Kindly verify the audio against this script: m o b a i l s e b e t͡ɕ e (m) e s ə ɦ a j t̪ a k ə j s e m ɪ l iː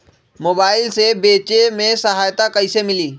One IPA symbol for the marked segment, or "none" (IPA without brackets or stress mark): m